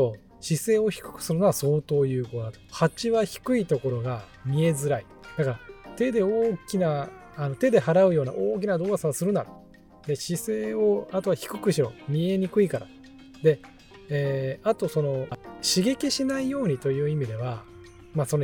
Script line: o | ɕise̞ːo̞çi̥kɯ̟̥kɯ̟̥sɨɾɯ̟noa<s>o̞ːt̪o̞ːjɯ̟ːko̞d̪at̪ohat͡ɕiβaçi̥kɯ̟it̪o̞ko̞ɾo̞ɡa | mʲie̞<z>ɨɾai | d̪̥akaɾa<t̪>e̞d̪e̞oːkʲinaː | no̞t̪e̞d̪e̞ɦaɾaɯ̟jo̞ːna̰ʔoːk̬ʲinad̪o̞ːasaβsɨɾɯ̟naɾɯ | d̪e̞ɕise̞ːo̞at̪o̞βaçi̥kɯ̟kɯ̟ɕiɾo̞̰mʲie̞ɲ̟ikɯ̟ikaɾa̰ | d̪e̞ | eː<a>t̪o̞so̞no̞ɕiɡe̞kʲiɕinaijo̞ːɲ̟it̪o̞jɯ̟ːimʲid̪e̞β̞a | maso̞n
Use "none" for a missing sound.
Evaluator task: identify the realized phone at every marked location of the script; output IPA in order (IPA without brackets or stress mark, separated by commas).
s, z, t̪, a